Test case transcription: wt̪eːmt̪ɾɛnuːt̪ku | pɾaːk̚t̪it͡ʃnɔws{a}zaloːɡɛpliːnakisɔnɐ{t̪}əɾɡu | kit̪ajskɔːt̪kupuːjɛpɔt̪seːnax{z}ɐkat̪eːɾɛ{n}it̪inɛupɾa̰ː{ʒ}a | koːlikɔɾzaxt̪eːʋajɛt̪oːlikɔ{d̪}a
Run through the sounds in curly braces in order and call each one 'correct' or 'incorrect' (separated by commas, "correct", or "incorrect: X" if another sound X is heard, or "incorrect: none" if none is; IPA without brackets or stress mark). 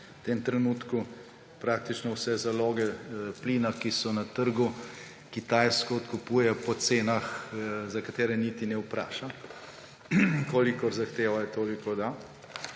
incorrect: ɛ, correct, correct, correct, incorrect: ʃ, correct